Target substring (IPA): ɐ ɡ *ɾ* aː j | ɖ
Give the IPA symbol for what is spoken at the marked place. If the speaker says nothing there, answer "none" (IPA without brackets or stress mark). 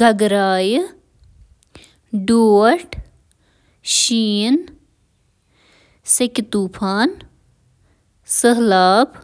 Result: ɾ